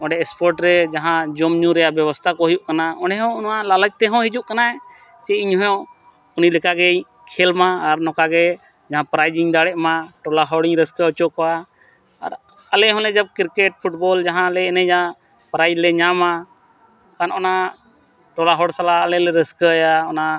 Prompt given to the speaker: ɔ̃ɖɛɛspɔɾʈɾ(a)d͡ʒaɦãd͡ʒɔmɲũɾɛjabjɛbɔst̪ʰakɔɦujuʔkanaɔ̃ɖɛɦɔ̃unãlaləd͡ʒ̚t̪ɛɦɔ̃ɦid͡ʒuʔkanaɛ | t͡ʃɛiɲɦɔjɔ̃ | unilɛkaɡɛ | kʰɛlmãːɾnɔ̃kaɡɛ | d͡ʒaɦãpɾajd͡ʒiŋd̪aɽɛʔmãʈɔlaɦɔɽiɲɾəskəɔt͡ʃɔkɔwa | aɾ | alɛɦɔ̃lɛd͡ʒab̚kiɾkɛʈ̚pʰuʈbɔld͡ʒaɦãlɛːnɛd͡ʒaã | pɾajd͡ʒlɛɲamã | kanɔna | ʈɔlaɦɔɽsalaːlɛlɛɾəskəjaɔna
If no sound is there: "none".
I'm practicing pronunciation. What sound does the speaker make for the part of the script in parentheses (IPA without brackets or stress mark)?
ɛ